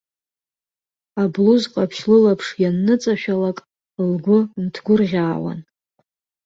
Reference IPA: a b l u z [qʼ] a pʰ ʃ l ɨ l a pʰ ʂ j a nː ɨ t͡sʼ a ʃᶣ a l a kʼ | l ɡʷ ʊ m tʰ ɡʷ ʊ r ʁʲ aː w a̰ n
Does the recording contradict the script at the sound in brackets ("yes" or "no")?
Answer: no